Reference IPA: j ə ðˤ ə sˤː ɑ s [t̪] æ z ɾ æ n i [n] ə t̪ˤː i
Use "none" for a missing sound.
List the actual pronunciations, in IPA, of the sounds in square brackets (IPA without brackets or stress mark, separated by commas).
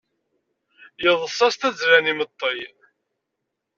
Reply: t̪, m